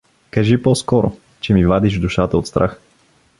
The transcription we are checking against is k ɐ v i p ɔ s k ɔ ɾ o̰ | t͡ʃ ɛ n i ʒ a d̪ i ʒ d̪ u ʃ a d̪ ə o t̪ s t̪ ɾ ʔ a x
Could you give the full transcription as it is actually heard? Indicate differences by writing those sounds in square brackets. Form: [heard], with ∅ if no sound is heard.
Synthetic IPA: k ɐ [ʒ] i p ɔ s k ɔ ɾ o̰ | t͡ʃ ɛ [m] i [v] a d̪ i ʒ d̪ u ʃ a [t̪] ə o t̪ s t̪ ɾ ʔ a x